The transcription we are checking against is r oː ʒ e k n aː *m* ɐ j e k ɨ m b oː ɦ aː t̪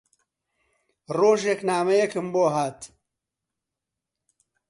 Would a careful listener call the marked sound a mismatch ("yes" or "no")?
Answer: no